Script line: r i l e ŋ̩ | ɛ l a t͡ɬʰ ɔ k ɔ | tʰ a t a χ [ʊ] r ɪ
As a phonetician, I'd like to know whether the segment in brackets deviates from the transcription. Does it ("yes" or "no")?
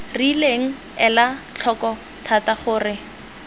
yes